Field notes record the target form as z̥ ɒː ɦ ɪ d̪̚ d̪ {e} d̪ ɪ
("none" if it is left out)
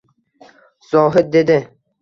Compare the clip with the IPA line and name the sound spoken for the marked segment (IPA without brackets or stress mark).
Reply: e